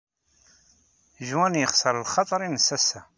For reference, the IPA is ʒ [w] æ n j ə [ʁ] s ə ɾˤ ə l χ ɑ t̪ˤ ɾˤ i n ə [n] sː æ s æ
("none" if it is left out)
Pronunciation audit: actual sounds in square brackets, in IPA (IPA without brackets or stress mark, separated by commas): w, χ, none